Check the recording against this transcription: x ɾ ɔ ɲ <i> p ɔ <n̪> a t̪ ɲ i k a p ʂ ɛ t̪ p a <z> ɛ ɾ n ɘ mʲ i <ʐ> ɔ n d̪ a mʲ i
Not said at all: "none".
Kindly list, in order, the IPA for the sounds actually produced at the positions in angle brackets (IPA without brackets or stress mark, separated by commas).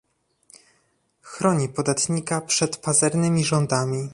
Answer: i, d̪, z, ʐ